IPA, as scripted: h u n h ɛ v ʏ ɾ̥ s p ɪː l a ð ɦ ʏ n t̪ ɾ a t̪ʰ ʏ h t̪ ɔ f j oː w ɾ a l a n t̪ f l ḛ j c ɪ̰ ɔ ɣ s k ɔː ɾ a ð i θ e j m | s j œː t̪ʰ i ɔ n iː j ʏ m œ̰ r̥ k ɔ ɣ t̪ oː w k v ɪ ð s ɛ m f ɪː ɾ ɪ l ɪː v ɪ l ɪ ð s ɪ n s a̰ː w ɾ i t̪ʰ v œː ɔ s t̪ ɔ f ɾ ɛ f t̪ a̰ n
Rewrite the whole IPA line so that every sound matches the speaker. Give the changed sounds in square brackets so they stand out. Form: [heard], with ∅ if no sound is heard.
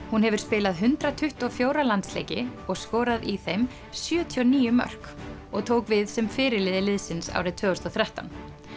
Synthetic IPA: h u n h ɛ v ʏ ɾ̥ s p ɪː l a ð ɦ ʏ n t̪ ɾ a t̪ʰ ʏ h t̪ ɔ f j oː w ɾ a l a n t̪ [s] l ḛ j c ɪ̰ ɔ ɣ s k ɔː ɾ a ð i θ e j m | s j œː t̪ʰ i ɔ n iː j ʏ m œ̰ r̥ k ɔ ɣ [t̪ʰ] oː w k v ɪ ð s ɛ m f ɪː ɾ ɪ l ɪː [ð] ɪ l ɪ ð s ɪ n s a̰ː w ɾ [ɪ] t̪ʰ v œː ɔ s t̪ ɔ [θ] ɾ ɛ [h] t̪ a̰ n

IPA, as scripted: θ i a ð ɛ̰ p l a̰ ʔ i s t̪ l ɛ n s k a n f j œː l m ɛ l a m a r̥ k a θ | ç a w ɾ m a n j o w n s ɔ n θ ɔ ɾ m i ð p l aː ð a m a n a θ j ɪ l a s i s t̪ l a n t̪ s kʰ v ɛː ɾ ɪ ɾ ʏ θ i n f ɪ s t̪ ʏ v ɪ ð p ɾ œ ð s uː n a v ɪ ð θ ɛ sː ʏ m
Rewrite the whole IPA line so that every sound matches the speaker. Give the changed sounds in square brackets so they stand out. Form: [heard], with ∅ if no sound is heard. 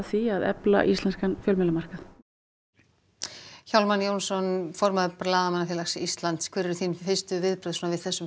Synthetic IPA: θ i a ð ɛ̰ p l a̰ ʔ i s t̪ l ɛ n s k a n f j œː l m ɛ l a m a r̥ k a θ | ç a w [l] m a n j o w n s ɔ n [f] ɔ ɾ m [a] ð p l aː ð a m a n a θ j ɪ l a s i s t̪ l a n t̪ s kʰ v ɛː ɾ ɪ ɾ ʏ θ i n f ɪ s t̪ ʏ v ɪ ð p ɾ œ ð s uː n a v ɪ ð θ ɛ sː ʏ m

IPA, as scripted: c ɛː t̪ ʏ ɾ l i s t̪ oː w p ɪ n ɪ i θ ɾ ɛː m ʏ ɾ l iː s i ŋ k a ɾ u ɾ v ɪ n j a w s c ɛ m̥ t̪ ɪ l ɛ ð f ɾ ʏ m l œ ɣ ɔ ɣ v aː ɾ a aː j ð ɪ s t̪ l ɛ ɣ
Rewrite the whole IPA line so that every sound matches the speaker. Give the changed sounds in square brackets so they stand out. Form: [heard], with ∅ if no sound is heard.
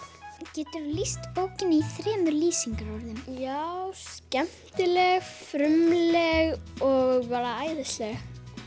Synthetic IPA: c ɛː t̪ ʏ ɾ l i s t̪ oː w [c] ɪ n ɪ i θ ɾ ɛː m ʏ ɾ l iː s i ŋ k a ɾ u ɾ [ð] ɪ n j a w s c ɛ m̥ t̪ ɪ l ɛ [ɣ] f ɾ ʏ m l [ɛ] ɣ ɔ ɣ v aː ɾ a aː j ð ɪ s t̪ l ɛ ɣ

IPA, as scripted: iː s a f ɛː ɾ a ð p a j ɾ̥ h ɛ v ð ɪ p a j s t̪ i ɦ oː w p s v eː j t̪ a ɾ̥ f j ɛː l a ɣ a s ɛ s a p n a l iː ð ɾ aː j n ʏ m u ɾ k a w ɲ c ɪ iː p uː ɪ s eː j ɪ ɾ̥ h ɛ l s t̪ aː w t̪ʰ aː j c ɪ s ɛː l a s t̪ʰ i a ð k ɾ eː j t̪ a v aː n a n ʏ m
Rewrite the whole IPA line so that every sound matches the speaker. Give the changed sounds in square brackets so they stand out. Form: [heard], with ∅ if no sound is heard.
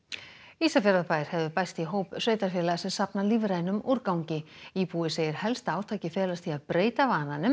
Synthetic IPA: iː s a f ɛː ɾ a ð p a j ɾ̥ h ɛ v ð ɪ p a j s t̪ i ɦ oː w p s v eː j t̪ a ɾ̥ f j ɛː l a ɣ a s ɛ s a p n a l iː [v] ɾ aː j n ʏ m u ɾ k a w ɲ c ɪ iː p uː ɪ s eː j ɪ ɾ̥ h ɛ l s t̪ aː w t̪ʰ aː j c ɪ [f] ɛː l a s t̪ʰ i a ð [p] ɾ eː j t̪ a v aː n a n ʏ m

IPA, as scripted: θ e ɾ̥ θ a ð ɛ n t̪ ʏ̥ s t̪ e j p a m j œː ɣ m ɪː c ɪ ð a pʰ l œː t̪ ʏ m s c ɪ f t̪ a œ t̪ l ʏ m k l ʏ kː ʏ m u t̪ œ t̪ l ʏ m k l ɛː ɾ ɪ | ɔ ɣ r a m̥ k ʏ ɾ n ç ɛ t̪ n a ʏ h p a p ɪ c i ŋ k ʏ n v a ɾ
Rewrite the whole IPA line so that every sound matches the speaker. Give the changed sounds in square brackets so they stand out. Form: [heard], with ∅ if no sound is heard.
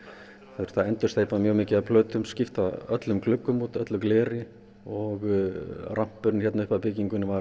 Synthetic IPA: θ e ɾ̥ θ a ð ɛ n t̪ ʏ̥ s t̪ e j p a m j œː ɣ m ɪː c ɪ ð a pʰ l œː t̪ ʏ m s c ɪ f t̪ a œ t̪ l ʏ m k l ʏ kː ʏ m u t̪ œ t̪ l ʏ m k l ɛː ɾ ɪ | ɔ ɣ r a m̥ [p] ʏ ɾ n ç ɛ t̪ n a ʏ h p a p ɪ c i ŋ k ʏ n v a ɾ

